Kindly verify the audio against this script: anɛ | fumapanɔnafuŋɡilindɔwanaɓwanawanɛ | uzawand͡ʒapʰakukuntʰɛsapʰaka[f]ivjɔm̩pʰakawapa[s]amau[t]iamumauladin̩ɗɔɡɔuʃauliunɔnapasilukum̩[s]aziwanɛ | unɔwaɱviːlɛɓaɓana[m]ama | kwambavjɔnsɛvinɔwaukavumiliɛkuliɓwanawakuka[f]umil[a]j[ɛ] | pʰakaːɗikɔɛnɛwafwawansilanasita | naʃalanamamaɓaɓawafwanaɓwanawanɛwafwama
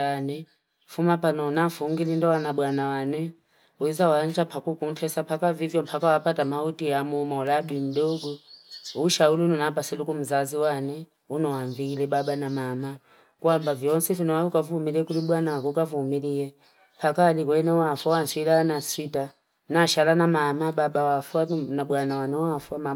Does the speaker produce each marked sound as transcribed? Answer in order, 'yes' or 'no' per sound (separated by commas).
no, no, yes, no, yes, no, no, yes